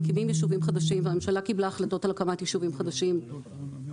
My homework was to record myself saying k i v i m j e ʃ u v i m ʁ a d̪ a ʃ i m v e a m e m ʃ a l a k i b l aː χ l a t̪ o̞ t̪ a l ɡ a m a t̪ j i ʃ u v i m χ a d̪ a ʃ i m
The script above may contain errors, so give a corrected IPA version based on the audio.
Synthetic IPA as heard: k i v i m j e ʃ u v i m χ a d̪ a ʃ i m v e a m e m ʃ a l a k i b l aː χ l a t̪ o̞ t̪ a l k a m a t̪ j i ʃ u v i m χ a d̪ a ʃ i m